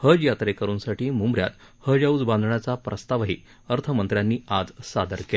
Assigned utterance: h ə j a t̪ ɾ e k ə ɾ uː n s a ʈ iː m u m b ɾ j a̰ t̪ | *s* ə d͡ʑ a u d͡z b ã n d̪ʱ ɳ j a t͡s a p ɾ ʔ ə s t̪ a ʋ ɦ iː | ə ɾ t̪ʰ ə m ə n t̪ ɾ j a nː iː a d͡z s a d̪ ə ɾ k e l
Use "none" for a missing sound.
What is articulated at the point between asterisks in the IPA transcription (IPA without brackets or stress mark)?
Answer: h